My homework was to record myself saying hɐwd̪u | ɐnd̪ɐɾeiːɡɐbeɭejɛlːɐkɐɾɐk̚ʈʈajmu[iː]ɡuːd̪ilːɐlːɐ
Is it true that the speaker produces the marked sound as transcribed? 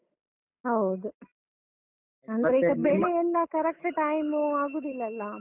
no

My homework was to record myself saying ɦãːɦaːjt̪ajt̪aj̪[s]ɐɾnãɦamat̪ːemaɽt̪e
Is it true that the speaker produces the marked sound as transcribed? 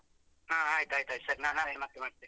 yes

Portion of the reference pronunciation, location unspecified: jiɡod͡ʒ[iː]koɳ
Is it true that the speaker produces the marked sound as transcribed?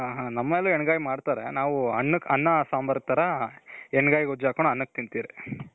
no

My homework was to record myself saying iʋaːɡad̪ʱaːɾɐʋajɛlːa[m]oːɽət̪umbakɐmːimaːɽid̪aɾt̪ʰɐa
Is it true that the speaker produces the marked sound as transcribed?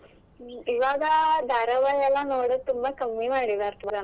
no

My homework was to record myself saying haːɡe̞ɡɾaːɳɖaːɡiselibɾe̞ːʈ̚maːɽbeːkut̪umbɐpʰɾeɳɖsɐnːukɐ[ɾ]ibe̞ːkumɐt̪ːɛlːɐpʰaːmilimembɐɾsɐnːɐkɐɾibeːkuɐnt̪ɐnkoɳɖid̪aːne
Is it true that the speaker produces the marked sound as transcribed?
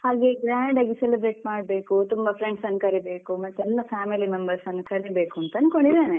yes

